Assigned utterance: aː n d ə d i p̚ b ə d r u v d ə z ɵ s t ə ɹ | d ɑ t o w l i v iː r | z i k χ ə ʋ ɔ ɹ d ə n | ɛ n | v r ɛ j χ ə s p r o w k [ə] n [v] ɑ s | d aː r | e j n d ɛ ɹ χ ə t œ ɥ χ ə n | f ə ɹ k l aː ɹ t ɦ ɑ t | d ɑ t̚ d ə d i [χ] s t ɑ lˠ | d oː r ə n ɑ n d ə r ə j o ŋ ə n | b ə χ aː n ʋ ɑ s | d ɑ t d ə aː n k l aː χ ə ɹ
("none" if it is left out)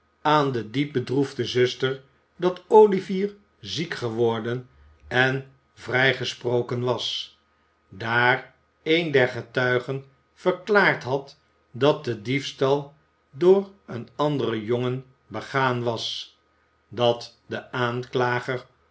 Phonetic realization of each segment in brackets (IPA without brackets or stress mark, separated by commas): ə, ʋ, f